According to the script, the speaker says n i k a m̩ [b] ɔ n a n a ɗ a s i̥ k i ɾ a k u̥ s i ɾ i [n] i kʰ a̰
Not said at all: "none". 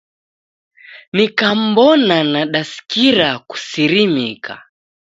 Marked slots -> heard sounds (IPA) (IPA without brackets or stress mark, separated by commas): b, m